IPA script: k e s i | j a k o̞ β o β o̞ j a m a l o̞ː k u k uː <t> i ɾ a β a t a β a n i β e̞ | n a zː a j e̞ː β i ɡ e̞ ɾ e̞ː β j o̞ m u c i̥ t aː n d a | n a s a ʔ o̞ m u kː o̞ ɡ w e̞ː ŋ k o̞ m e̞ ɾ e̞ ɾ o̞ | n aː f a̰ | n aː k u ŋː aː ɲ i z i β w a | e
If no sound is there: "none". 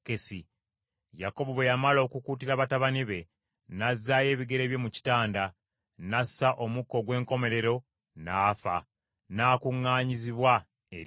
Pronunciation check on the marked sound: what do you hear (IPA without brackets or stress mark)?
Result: t